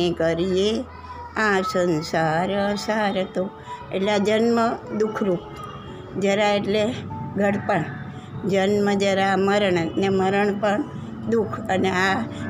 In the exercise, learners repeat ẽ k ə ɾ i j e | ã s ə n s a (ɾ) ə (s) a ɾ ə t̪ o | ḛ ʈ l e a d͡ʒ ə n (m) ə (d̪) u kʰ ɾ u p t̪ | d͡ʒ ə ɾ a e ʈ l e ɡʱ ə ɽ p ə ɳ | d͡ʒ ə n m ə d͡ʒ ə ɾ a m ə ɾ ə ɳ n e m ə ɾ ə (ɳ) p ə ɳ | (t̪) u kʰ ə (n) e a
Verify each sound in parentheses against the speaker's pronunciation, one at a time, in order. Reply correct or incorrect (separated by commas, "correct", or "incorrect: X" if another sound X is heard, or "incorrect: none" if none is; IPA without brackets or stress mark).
correct, correct, correct, correct, correct, incorrect: d̪, correct